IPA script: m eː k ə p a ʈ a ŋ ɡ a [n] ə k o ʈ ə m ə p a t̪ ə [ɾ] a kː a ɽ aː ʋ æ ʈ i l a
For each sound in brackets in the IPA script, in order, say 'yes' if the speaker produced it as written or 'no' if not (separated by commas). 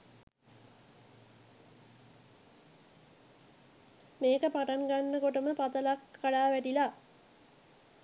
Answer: no, no